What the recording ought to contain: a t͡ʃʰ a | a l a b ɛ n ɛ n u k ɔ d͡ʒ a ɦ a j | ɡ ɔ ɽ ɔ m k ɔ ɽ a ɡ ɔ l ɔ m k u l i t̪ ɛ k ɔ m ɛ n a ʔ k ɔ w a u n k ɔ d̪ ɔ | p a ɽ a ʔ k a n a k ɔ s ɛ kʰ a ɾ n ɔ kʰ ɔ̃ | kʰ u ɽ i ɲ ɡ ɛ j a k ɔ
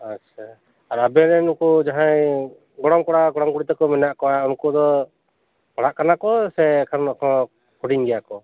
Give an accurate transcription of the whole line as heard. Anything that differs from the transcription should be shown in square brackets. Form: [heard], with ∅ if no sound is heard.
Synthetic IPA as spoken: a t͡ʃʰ a | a [ɾ] a b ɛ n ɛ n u k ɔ d͡ʒ a ɦ a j | ɡ ɔ ɽ ɔ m k ɔ ɽ a ɡ ɔ [ɽ] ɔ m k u [ɽ] i t̪ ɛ k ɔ m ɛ n a ʔ k ɔ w a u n k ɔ d̪ ɔ | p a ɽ a ʔ k a n a k ɔ s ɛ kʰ a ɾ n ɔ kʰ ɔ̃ | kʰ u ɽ i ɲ ɡ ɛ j a k ɔ

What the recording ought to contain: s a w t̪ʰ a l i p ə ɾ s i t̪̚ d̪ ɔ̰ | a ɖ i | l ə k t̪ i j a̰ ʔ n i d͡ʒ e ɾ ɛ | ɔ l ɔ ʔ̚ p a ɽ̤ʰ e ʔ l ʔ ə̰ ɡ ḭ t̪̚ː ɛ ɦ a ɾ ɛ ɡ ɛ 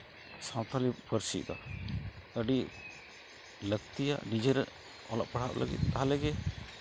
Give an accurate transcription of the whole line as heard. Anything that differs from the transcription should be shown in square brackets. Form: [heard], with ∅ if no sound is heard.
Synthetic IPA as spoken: s a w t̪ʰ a l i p ə ɾ s i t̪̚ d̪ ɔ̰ | [ə] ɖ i | l ə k t̪ i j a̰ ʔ n i d͡ʒ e ɾ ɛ | ɔ l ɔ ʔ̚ p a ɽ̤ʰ [a] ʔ l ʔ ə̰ ɡ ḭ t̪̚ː [a] ɦ a [l] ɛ ɡ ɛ

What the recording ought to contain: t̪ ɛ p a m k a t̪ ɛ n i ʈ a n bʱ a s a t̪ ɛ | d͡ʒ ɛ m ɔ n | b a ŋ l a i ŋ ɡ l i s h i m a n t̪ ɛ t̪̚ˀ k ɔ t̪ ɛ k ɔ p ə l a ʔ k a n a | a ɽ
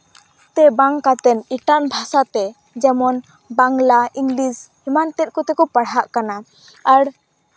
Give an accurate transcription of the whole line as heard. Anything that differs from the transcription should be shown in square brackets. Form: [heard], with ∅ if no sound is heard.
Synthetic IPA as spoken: t̪ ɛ [b] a [ŋ] k a t̪ ɛ n i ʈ a n bʱ a s a t̪ ɛ | d͡ʒ ɛ m ɔ n | b a ŋ l a i ŋ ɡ l i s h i m a n t̪ ɛ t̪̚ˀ k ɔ t̪ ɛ k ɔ p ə [ɽ] a ʔ k a n a | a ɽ

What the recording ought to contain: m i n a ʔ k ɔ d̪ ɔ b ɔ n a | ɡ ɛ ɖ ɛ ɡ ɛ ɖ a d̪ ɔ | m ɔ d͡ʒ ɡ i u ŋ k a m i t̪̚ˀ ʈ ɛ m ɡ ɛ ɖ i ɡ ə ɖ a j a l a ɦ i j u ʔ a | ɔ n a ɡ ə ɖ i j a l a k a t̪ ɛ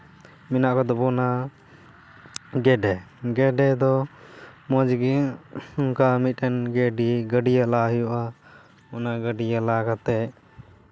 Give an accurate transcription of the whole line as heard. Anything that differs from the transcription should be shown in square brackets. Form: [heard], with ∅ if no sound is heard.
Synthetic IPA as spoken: m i n a ʔ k ɔ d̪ ɔ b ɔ n a | ɡ ɛ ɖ ɛ ɡ ɛ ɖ [ɛ] d̪ ɔ | m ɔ d͡ʒ ɡ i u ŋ k a m i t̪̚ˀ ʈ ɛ [n] ɡ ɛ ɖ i ɡ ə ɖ [i] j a l a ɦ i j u ʔ a | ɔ n a ɡ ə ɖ i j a l a k a t̪ ɛ

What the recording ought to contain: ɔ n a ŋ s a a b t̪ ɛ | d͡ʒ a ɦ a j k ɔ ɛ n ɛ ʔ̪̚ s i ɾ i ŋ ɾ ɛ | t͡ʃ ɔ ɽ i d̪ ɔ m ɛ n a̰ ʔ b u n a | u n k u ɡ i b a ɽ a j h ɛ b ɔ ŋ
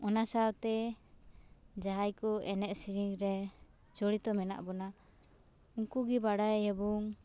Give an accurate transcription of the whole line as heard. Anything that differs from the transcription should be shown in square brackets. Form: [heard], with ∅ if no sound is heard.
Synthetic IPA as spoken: ɔ n a [∅] s a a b t̪ ɛ | d͡ʒ a ɦ a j k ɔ ɛ n ɛ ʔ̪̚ s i ɾ i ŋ ɾ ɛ | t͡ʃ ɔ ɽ i [t̪] ɔ m ɛ n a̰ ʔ b [ɔ] n a | u [ŋ] k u ɡ i b a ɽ a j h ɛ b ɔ ŋ

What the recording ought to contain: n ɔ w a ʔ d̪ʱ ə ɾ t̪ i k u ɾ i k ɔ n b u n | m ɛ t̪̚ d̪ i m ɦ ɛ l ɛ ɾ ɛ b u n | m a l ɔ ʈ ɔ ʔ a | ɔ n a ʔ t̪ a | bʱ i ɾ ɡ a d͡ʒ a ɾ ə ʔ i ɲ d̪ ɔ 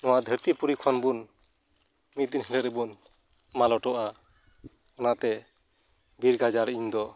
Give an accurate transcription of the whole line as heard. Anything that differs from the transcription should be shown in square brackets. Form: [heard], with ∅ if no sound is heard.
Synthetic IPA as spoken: n ɔ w a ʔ d̪ʱ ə ɾ t̪ i [p] u ɾ i [kʰ] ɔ n b u n | m [i] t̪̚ d̪ i [n] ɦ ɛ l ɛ ɾ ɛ b u n | m a l ɔ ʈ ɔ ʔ a | ɔ n a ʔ t̪ [ɛ] | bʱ i ɾ ɡ a d͡ʒ a ɾ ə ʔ i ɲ d̪ ɔ

